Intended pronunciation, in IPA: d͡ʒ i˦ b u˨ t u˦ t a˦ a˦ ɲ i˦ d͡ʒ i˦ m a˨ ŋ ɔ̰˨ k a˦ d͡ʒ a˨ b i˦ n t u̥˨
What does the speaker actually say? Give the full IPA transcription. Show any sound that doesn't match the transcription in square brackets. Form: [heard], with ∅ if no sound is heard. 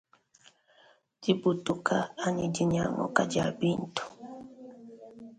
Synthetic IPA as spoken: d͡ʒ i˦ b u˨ t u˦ [k] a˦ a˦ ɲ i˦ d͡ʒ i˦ [ɲ] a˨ ŋ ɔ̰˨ k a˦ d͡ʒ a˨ b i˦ n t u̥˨